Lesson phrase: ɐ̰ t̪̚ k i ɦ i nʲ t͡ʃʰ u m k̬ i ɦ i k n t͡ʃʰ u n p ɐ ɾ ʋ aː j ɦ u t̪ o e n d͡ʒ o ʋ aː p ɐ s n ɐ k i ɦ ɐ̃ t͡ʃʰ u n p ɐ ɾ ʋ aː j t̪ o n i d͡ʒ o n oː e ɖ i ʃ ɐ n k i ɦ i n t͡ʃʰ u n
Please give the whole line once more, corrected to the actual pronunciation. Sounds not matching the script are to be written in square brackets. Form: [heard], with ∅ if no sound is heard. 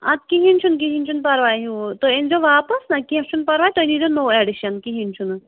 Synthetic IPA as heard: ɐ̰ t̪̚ k i ɦ i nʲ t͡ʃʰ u [n] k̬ i ɦ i [∅] n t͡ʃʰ u n p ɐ ɾ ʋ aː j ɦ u t̪ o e n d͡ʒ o ʋ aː p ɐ s n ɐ k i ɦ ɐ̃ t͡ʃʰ u n p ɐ ɾ ʋ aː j t̪ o n i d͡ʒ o n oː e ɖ i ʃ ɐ n k i ɦ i n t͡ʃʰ u n

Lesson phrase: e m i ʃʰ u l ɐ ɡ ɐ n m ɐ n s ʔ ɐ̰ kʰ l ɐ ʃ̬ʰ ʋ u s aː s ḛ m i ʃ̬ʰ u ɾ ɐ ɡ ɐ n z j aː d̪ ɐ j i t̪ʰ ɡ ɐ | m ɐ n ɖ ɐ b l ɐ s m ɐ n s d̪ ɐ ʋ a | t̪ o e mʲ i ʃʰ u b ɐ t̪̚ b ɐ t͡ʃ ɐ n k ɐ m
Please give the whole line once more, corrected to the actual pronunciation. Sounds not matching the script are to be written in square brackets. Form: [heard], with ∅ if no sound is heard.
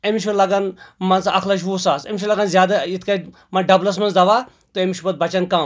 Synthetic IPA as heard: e m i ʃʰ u l ɐ ɡ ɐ n m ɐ n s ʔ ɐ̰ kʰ l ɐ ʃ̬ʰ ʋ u s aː s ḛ m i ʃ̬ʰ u [l] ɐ ɡ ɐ n z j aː d̪ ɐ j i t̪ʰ [k] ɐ | m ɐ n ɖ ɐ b l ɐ s m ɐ n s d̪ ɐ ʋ a | t̪ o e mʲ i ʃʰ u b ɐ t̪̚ b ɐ t͡ʃ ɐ n k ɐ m

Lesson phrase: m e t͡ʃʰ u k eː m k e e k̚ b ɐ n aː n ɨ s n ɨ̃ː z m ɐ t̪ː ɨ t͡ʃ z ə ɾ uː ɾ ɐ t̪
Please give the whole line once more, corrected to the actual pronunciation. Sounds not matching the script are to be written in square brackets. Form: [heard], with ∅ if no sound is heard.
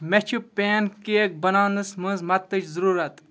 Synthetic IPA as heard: m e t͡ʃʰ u [p] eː [n] k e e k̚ b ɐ n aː n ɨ s [m] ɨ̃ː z m ɐ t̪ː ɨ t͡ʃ z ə ɾ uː ɾ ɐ t̪

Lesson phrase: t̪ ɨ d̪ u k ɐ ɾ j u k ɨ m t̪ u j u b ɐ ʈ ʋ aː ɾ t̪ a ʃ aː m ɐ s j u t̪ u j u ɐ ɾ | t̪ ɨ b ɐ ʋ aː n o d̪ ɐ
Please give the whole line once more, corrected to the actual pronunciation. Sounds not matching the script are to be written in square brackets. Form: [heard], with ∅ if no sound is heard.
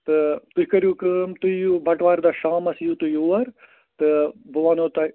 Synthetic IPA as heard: t̪ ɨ [t̪] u k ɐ ɾ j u k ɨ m t̪ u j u b ɐ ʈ ʋ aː ɾ [d̪] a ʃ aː m ɐ s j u t̪ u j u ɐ ɾ | t̪ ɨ b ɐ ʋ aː n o [t̪] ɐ

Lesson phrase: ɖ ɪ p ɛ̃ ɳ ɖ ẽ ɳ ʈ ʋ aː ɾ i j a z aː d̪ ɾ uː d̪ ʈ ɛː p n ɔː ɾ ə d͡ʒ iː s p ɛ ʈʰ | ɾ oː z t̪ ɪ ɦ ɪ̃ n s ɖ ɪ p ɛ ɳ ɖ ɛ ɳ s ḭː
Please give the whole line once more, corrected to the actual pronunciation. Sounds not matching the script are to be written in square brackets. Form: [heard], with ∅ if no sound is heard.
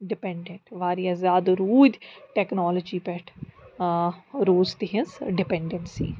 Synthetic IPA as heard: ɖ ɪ p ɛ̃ ɳ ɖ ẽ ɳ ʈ ʋ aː ɾ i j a z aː d̪ ɾ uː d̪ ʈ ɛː [k] n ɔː [l] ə d͡ʒ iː [∅] p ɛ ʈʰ | ɾ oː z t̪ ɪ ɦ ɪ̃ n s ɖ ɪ p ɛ ɳ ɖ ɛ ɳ s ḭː

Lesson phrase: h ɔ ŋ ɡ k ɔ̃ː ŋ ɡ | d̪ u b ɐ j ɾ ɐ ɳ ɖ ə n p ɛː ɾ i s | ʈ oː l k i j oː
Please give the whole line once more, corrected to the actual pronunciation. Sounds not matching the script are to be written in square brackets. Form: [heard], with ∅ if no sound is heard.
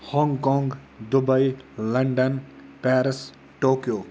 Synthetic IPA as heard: h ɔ ŋ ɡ k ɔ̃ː ŋ ɡ | d̪ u b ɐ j [l] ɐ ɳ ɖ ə n p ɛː ɾ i s | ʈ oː [∅] k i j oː

